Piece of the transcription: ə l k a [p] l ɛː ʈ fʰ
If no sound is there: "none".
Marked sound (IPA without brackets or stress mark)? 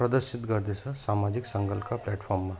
p